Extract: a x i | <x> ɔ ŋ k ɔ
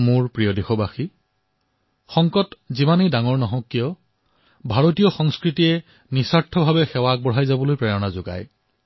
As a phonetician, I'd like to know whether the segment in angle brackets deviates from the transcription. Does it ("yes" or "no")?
no